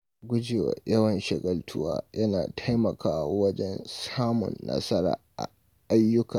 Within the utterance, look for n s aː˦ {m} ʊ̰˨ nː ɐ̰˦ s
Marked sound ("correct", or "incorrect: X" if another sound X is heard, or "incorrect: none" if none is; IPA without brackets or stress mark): correct